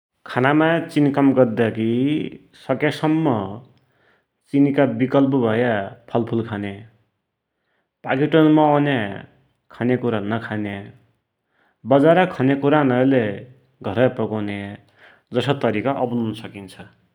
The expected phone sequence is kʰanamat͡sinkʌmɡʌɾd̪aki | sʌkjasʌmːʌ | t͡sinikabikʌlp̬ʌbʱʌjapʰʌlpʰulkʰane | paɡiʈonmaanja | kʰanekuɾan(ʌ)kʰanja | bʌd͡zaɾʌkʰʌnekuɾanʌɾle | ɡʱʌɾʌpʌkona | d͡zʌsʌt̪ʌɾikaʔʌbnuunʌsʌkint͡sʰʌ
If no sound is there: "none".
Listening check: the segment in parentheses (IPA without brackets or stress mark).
ʌ